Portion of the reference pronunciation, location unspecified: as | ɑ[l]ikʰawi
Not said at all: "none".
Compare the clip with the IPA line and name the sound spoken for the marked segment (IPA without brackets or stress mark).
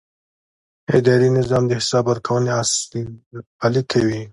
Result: l